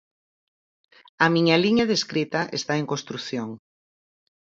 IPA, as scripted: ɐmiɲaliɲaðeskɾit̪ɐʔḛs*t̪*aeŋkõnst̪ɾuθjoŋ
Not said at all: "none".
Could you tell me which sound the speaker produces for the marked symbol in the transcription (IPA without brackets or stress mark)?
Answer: t̪